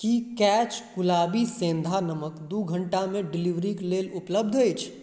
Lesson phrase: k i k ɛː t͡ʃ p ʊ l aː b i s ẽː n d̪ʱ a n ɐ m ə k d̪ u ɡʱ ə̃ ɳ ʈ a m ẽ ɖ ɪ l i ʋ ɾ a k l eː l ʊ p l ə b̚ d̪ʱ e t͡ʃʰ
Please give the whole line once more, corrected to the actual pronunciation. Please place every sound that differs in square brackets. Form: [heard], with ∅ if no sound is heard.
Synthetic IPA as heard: k i k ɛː t͡ʃ [k] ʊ l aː b i s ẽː n d̪ʱ a n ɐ m ə k d̪ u ɡʱ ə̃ ɳ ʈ a m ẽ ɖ ɪ l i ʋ ɾ [i] k l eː l ʊ p l ə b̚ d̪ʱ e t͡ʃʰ